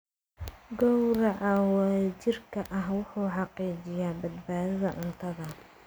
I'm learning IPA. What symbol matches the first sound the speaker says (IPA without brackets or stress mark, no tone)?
ɡ